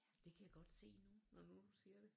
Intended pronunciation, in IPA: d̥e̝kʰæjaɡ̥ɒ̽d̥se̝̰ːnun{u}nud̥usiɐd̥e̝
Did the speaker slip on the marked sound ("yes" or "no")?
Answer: yes